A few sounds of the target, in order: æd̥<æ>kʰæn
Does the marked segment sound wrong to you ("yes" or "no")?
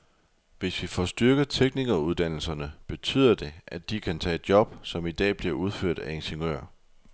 yes